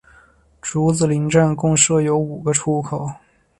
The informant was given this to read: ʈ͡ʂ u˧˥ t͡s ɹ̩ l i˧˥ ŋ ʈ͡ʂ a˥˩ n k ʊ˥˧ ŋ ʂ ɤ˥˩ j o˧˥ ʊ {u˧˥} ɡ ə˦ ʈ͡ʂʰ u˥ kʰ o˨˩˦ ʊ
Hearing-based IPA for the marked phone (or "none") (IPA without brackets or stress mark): u˨˩